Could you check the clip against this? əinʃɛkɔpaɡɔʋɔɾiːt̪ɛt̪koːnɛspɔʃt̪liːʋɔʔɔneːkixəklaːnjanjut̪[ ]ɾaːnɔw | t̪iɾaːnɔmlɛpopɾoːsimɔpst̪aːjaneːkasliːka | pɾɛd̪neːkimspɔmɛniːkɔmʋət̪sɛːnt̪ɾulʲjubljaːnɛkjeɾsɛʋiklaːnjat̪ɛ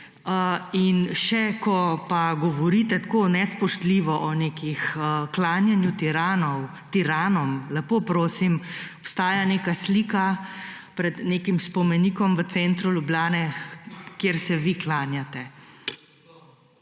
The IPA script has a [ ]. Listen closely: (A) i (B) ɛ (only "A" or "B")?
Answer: A